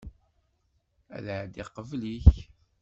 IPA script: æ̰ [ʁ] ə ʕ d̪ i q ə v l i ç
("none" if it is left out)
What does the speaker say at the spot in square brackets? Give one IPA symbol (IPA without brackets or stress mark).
ð